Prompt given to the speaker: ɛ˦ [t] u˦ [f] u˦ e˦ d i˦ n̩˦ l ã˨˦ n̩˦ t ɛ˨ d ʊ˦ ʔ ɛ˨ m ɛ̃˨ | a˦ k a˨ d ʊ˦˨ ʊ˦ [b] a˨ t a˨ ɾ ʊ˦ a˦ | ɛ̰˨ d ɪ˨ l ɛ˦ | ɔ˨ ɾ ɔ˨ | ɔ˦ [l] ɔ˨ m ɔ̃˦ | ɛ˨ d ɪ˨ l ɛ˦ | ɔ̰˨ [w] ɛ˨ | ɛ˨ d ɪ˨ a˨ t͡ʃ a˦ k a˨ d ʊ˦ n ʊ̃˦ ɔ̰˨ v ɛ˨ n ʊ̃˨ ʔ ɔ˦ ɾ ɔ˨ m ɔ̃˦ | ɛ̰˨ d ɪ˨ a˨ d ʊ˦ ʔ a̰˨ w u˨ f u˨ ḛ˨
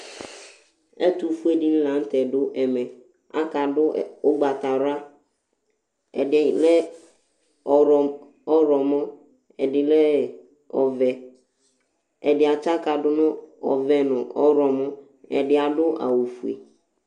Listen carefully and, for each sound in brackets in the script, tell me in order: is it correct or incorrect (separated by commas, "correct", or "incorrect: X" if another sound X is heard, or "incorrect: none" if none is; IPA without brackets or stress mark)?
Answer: correct, correct, incorrect: ɡ͡b, incorrect: ɾ, incorrect: v